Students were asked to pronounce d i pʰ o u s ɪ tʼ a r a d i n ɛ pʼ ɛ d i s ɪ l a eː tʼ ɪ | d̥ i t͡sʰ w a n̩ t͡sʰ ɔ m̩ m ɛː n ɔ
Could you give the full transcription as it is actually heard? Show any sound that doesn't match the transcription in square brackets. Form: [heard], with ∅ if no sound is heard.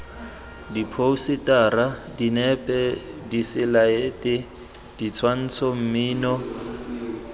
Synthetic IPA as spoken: d i pʰ o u s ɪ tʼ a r a d i n ɛ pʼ ɛ d i s ɪ l a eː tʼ ɪ | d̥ i t͡sʰ w a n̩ t͡sʰ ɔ m̩ m [iː] n ɔ